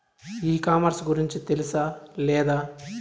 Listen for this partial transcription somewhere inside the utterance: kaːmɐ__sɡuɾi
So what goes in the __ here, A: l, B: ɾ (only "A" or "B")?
B